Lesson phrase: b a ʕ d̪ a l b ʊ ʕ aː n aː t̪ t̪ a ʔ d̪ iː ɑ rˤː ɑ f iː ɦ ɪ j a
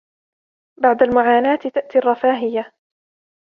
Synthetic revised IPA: b a ʕ d̪ a l m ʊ ʕ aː n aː t̪ t̪ a ʔ t̪ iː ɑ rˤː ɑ f aː ɦ ɪ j a